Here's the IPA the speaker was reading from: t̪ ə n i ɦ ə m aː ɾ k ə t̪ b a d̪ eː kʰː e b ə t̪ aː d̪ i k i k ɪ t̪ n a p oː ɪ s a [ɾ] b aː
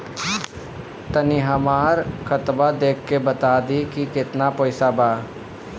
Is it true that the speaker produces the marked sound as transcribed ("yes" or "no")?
no